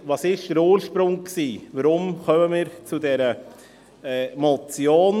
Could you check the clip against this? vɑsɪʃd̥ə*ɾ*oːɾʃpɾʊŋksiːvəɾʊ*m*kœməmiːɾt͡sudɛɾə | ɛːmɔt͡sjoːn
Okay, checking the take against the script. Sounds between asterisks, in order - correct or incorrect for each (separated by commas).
correct, correct